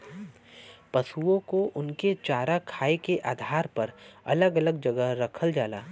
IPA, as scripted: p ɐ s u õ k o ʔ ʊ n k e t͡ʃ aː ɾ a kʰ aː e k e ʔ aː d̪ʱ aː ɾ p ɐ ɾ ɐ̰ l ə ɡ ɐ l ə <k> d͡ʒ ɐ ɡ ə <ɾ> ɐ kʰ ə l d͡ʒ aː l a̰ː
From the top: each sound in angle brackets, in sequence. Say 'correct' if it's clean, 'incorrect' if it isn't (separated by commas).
incorrect, correct